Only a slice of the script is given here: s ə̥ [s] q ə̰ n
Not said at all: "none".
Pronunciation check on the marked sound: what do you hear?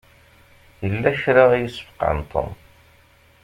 f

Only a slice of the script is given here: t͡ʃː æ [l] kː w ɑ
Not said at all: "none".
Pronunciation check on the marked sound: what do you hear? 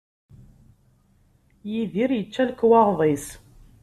l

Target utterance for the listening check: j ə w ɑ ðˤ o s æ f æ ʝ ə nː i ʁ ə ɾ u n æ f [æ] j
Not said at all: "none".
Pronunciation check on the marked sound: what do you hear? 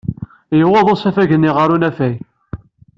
æ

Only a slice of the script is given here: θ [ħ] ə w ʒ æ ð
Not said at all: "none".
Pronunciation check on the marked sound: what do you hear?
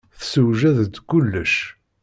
s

